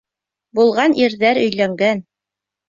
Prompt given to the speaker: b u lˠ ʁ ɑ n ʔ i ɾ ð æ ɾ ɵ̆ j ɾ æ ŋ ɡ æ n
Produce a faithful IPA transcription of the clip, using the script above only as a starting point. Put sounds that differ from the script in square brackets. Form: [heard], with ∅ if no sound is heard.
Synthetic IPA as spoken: b u lˠ ʁ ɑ n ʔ i ɾ ð æ ɾ ɵ̆ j [l] æ ŋ ɡ æ n